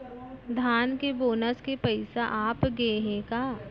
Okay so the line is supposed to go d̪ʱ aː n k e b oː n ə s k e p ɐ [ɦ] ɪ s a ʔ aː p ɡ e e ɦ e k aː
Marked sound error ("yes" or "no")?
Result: yes